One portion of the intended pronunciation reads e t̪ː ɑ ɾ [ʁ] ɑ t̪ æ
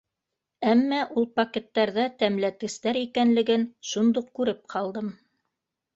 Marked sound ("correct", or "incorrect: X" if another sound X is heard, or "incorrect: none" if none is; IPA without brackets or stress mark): incorrect: ð